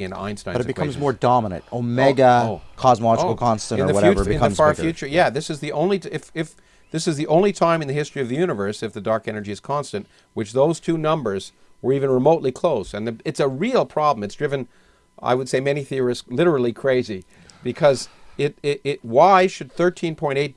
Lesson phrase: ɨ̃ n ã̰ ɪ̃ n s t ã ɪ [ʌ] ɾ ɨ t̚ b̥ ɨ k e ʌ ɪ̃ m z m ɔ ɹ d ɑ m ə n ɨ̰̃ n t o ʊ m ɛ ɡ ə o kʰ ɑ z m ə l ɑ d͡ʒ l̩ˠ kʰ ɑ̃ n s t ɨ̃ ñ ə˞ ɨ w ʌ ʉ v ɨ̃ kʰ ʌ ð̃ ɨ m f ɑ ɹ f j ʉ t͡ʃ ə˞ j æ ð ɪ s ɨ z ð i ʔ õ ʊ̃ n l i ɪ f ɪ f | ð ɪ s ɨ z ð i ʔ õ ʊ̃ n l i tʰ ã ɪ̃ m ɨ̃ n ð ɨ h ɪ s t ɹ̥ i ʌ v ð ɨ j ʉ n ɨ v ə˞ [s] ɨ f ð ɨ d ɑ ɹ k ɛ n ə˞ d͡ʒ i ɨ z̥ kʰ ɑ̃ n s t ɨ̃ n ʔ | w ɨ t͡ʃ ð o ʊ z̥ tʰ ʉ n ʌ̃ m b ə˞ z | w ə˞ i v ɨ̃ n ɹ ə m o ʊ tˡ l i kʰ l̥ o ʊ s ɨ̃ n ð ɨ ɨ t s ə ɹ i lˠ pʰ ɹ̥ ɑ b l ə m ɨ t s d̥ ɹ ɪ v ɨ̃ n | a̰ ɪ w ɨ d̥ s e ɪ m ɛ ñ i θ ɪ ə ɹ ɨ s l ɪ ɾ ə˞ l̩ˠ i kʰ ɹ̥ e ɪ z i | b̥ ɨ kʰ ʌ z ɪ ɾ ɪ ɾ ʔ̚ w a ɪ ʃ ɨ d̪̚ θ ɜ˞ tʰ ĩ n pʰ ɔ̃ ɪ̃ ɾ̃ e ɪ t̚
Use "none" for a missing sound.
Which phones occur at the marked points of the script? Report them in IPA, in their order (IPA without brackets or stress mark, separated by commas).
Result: ʌ, s